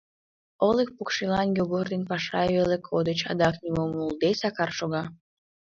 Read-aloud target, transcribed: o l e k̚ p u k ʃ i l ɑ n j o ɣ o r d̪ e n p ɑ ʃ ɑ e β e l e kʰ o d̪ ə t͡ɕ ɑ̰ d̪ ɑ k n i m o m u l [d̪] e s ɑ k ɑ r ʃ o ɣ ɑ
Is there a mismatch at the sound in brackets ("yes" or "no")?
no